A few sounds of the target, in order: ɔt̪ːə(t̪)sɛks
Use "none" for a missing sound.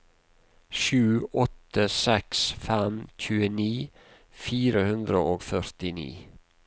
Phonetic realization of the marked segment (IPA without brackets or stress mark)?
none